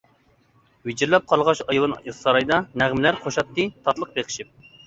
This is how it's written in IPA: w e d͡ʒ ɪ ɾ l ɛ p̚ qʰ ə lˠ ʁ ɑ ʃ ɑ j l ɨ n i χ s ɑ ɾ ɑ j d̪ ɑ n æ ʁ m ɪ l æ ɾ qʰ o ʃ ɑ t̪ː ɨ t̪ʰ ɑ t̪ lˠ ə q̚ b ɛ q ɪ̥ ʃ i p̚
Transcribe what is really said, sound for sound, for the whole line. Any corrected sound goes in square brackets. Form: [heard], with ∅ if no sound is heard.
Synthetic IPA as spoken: w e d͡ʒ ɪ ɾ l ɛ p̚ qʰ [ɑ] lˠ ʁ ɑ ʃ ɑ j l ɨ n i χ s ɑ ɾ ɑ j d̪ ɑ n æ ʁ m ɪ l æ ɾ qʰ o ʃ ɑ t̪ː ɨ t̪ʰ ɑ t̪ lˠ ə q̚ b [e] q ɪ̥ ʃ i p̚